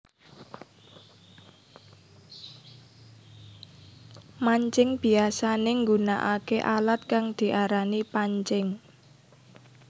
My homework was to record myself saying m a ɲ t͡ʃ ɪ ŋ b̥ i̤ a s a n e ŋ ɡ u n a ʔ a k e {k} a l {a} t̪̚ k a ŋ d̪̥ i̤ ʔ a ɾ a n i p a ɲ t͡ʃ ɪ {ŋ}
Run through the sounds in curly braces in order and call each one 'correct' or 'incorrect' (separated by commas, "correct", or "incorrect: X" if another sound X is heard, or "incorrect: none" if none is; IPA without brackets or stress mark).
incorrect: ʔ, correct, correct